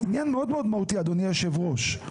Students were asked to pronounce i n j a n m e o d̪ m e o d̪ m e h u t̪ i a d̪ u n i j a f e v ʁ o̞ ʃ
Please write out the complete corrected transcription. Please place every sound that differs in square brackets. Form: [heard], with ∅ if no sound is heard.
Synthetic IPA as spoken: i n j a n m e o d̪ m e o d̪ m [a] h u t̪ i a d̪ [o] n i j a [ʃ] e v ʁ o̞ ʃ